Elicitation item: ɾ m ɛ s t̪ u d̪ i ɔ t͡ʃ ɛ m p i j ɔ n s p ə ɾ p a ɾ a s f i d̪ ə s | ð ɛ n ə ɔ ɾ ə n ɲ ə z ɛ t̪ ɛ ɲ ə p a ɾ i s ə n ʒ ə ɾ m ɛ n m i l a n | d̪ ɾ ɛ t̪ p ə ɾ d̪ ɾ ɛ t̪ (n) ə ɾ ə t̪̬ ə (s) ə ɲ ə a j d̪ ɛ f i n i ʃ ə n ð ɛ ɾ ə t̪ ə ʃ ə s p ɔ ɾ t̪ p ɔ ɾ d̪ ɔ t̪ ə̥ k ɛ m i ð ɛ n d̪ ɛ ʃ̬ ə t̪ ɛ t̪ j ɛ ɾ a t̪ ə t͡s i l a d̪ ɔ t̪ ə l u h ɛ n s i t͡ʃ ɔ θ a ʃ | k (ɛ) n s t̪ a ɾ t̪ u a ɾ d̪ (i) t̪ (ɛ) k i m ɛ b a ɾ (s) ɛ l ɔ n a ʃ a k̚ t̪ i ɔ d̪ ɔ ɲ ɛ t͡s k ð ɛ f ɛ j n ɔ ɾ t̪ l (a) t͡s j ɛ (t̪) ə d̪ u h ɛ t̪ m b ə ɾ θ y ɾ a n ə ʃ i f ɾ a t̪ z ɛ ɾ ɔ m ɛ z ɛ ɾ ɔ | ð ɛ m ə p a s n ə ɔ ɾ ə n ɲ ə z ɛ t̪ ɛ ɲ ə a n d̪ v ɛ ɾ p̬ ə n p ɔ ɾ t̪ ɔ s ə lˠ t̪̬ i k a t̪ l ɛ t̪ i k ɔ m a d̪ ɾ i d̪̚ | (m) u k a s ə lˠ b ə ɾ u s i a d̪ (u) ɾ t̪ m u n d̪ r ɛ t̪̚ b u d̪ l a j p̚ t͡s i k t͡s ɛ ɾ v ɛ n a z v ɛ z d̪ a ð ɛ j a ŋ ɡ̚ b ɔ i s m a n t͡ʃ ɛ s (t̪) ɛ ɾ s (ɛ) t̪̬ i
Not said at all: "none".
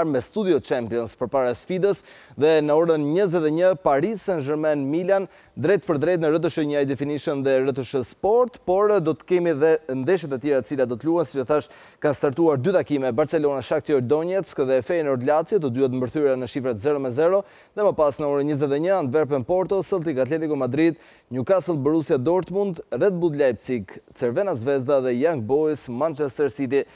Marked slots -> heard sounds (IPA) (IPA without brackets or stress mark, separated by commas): n, ʃ, a, y, a, t͡s, a, t̪, ɲ, ɔ, t̪, i